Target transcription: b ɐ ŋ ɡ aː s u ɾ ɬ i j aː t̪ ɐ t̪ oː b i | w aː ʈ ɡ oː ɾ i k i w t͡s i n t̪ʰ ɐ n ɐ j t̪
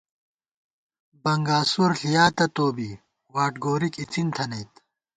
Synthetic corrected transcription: b ɐ ŋ ɡ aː s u ɾ ɬ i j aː t̪ ɐ t̪ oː b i | w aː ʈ ɡ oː ɾ i k i t͡s i n t̪ʰ ɐ n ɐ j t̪